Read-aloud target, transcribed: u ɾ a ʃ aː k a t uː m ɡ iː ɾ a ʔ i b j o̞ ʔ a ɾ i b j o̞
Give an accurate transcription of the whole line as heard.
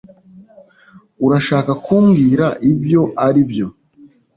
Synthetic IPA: u ɾ a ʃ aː k a k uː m ɡ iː ɾ a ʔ i b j o̞ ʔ a ɾ i b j o̞

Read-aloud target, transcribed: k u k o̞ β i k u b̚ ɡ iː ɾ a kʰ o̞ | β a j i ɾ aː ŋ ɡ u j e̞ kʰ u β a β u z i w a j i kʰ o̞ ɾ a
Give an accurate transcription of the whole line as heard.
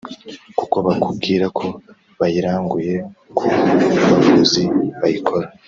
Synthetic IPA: k u k o̞ β a k u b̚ ɡ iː ɾ a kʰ o̞ | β a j i ɾ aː ŋ ɡ u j e̞ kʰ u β a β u z i β a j i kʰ o̞ ɾ a

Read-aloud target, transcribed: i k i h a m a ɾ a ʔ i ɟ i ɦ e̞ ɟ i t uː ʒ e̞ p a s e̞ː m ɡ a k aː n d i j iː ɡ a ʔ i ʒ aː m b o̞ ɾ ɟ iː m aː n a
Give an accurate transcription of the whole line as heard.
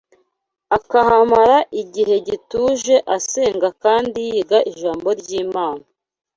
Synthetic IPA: a k a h a m a ɾ a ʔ i ɟ i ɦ e̞ ɟ i t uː ʒ e̞ ʔ a s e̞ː ŋ ɡ a k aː n d i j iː ɡ a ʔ i ʒ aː m b o̞ ɾ ɟ iː m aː n a

